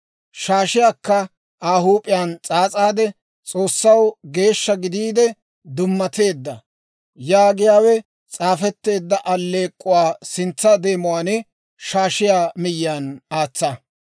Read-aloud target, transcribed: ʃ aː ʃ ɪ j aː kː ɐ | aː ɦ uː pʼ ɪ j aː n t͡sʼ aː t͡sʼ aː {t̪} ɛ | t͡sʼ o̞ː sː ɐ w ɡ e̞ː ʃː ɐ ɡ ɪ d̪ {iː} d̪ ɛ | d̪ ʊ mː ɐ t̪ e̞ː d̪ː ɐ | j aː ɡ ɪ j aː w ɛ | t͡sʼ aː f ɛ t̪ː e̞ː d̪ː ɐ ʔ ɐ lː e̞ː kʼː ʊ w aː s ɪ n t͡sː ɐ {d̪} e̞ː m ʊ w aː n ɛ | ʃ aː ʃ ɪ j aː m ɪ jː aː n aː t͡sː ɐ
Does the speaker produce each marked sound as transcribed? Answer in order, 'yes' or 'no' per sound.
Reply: no, yes, yes

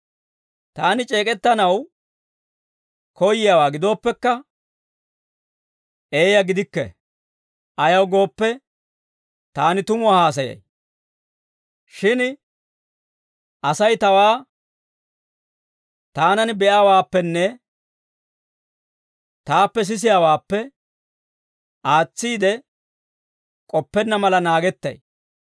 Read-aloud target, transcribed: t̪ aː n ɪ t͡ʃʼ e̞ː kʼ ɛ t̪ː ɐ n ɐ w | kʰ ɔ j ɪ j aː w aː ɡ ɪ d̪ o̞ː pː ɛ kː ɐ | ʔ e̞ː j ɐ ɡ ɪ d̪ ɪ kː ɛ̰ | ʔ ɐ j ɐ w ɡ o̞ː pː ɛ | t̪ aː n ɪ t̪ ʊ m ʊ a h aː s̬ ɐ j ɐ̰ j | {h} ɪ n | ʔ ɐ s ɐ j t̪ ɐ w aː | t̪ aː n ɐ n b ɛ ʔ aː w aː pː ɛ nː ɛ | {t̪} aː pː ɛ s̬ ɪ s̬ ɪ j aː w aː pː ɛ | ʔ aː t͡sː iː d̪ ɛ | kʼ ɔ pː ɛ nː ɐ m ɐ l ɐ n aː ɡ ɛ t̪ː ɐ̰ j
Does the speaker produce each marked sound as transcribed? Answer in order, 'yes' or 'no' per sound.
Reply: no, yes

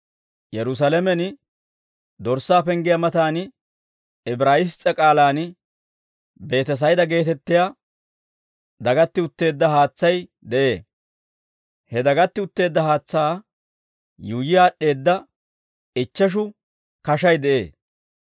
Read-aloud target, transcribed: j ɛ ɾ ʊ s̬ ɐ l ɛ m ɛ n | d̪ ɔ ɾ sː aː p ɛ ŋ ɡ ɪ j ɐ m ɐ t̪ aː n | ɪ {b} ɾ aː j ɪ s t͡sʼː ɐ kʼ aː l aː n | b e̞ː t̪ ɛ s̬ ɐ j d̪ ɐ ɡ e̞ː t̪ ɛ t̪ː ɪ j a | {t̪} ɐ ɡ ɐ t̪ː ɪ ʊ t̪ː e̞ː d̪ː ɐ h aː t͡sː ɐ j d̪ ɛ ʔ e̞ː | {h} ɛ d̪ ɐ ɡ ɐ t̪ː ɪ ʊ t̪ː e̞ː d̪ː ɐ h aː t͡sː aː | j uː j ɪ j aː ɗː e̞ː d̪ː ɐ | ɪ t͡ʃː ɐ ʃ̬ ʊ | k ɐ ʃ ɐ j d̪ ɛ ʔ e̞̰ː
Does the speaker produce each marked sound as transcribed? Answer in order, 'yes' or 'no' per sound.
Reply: yes, no, yes

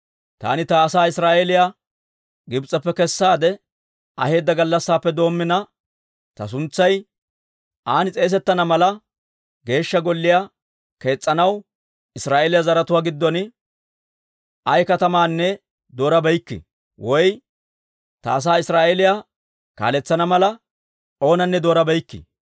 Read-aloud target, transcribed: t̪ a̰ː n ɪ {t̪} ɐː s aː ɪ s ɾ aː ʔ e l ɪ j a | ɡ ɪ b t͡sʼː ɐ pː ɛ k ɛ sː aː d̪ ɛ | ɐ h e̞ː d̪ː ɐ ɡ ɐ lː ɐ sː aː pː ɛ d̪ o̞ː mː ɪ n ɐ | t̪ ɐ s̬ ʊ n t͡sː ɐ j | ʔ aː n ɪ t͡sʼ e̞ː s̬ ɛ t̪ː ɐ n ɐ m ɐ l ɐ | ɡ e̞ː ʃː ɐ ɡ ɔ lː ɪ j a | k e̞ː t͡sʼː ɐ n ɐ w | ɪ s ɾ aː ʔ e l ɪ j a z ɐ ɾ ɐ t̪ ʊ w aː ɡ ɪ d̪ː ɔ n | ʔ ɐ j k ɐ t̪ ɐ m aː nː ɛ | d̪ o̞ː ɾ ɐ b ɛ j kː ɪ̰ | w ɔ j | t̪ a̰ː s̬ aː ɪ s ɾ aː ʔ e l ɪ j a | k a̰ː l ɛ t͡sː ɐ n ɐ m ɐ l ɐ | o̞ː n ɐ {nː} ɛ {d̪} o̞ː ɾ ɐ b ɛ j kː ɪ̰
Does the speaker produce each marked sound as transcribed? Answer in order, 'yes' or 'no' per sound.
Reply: yes, yes, yes

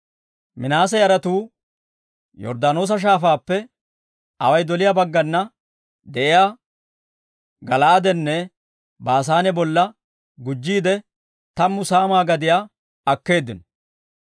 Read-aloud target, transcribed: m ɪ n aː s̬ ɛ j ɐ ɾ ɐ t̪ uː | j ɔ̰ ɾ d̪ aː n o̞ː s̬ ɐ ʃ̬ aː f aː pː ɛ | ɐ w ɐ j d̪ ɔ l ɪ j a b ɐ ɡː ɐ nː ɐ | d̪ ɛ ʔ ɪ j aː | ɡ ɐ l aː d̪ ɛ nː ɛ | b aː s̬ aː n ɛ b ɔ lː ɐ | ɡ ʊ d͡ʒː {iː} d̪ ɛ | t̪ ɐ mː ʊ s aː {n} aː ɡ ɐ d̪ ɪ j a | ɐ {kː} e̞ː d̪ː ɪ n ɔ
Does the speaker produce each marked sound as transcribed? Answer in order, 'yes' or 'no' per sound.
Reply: yes, no, yes

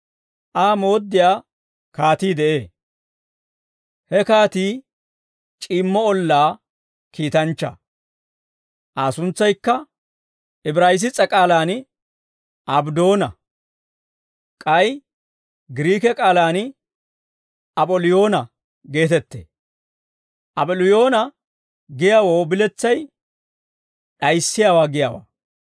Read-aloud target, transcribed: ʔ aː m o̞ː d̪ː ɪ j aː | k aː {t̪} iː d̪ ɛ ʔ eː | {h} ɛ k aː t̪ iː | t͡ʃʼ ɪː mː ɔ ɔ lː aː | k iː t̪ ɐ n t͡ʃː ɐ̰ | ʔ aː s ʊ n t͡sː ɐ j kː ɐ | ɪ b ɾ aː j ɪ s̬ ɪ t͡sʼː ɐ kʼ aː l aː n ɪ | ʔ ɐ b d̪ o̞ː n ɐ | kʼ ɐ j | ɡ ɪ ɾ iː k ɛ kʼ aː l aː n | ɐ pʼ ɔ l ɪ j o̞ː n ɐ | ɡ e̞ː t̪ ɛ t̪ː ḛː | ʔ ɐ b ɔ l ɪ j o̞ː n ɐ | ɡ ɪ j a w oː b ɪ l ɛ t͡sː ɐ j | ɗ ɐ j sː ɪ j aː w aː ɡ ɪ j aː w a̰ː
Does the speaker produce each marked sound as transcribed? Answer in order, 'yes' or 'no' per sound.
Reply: yes, yes

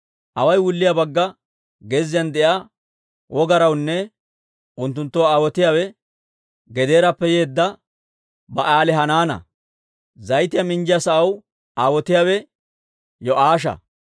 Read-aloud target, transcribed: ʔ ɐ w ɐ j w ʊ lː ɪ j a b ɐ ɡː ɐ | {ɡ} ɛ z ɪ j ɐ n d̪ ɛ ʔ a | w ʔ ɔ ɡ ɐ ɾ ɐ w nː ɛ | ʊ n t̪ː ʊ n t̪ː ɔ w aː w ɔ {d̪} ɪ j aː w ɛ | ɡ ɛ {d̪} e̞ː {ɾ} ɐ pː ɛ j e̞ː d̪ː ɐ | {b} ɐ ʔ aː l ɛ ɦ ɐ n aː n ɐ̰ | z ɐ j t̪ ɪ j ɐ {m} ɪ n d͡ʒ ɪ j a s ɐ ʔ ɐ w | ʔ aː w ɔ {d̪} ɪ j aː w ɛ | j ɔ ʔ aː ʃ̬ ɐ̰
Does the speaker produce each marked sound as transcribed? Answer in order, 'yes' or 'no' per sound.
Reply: yes, no, yes, yes, yes, yes, no

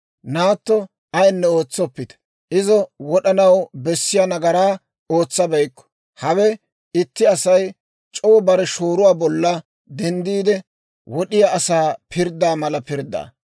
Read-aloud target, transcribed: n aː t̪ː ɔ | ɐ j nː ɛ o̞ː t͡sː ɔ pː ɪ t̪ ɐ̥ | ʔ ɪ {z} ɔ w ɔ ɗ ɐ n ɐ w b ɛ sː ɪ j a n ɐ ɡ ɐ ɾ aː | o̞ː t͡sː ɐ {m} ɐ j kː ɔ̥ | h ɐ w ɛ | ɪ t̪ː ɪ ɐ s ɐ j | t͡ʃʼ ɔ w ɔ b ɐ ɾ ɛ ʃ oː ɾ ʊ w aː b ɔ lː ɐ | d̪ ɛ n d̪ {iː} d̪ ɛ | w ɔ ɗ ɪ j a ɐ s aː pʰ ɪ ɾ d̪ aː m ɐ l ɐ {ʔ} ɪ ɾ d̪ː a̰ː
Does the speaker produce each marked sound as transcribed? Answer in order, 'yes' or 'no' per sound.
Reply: yes, no, yes, no

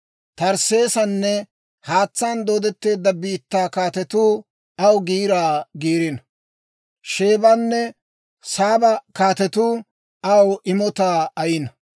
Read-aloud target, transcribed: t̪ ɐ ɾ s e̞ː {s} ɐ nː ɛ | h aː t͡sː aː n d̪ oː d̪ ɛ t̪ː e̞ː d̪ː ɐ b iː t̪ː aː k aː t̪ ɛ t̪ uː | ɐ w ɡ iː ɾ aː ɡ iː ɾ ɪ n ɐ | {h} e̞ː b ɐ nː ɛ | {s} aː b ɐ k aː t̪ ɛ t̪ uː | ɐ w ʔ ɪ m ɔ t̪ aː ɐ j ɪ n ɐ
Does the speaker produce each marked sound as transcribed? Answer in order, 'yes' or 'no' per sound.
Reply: yes, no, yes

